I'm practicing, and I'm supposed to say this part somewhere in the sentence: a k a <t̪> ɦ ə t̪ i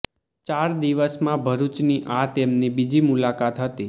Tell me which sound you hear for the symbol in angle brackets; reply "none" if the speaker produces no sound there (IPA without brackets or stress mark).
t̪